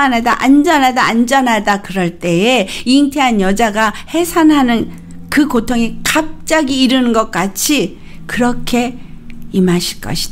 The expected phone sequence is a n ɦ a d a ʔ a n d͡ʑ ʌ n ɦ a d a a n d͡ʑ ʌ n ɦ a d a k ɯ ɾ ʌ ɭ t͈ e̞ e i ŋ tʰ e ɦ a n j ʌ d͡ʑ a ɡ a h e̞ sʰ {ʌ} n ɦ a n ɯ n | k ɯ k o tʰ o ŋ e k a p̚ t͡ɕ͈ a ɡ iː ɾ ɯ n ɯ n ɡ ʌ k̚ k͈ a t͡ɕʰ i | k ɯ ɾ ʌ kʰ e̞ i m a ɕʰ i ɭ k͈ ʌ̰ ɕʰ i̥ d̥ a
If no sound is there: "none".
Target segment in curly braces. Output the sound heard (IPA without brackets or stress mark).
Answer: a